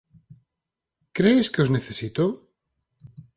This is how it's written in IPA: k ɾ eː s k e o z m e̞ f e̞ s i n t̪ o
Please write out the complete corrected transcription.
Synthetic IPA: k ɾ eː s k e o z n e̞ θ e̞ s i t̪ o